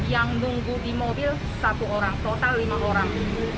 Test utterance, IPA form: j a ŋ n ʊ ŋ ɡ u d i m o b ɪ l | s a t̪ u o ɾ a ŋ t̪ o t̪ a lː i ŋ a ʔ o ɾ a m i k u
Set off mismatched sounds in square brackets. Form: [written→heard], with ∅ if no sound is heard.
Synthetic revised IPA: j a ŋ n [ʊ→u] ŋ ɡ u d i m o b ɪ l | s a t̪ u o ɾ a ŋ t̪ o t̪ a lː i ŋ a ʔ o ɾ a [m→ŋ] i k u